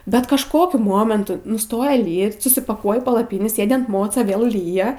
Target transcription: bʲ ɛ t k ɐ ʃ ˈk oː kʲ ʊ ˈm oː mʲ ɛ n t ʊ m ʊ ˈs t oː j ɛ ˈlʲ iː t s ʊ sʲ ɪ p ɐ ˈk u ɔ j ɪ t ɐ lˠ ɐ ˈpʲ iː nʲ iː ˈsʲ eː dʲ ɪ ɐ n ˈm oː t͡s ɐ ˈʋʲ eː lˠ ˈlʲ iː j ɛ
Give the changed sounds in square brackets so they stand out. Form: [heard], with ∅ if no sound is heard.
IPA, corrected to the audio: bʲ ɛ t k ɐ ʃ ˈk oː kʲ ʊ ˈm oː mʲ ɛ n t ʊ [n] ʊ ˈs t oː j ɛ ˈlʲ iː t s ʊ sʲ ɪ p ɐ ˈk u ɔ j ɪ [p] ɐ lˠ ɐ ˈpʲ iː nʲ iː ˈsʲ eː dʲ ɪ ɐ n ˈm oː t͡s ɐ ˈʋʲ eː lˠ ˈlʲ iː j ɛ